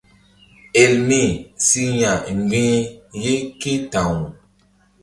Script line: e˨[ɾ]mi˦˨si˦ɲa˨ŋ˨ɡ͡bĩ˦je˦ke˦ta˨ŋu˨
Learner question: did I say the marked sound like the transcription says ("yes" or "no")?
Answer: no